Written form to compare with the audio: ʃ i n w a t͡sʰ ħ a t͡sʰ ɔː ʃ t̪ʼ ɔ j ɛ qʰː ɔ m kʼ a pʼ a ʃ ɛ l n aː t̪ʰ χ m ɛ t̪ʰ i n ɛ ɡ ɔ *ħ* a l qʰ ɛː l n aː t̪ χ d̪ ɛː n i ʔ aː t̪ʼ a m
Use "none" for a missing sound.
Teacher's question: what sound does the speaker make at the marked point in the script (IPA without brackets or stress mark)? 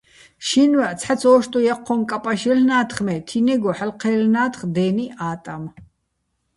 ħ